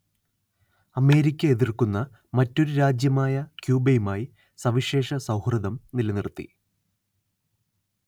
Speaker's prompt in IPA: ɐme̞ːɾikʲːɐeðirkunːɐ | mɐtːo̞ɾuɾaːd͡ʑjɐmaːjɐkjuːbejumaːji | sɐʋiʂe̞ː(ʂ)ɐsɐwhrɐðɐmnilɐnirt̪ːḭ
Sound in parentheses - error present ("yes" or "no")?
no